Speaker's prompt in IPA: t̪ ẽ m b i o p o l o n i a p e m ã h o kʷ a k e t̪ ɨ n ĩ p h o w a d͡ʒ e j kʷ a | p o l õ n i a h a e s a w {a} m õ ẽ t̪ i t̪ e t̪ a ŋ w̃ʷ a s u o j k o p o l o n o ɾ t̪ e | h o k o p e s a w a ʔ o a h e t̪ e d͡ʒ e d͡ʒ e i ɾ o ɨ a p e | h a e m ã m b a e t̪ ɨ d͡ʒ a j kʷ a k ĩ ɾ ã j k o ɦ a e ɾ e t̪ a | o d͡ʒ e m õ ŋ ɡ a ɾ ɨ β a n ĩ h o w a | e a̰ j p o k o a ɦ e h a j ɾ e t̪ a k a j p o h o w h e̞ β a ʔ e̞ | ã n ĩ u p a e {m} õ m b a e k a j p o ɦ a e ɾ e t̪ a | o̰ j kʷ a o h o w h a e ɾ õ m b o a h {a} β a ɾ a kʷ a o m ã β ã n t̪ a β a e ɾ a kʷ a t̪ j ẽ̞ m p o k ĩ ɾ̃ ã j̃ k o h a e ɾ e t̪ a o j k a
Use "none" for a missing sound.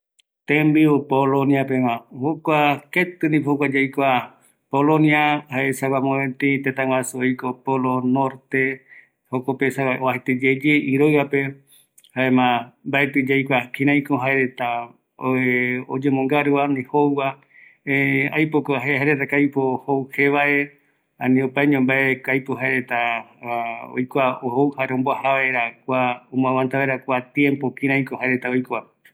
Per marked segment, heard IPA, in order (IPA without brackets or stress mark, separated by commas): a, ɲ, a